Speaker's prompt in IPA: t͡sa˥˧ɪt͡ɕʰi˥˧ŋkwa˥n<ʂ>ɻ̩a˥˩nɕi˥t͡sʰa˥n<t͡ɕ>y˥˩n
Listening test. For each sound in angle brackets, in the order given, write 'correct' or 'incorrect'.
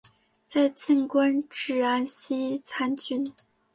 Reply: incorrect, correct

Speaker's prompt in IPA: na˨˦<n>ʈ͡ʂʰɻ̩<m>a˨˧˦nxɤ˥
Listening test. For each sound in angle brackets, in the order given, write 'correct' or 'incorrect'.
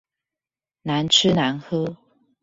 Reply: correct, incorrect

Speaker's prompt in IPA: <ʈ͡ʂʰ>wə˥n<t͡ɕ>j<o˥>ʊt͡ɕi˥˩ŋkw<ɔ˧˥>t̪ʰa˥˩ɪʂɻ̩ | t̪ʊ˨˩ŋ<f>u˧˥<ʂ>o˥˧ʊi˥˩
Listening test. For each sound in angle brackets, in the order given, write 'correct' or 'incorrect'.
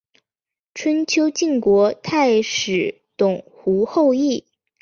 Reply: correct, incorrect, correct, correct, incorrect, incorrect

